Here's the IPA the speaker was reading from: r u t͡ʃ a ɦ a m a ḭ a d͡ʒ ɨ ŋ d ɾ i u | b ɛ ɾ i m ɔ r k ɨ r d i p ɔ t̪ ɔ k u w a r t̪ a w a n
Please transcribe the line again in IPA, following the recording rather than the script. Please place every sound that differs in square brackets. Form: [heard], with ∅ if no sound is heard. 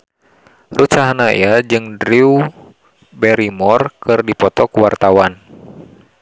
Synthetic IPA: r u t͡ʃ a ɦ a [n] a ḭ a d͡ʒ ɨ ŋ d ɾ i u | b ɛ ɾ i m ɔ r k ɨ r d i p ɔ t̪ ɔ k u w a r t̪ a w a n